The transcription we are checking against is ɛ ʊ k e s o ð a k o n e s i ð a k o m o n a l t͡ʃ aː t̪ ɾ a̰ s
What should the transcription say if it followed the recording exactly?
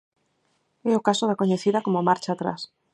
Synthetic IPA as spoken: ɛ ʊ k a s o ð a k o ɲ e θ i ð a k o m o m a ɾ t͡ʃ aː t̪ ɾ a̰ s